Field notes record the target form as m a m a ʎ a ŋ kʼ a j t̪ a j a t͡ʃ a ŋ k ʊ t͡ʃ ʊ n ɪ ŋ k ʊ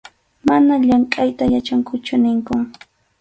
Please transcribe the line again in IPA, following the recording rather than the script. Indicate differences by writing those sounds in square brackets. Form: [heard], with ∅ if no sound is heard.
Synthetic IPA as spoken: m a [n] a ʎ a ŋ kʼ a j t̪ a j a t͡ʃ a ŋ k ʊ t͡ʃ ʊ n ɪ ŋ k ʊ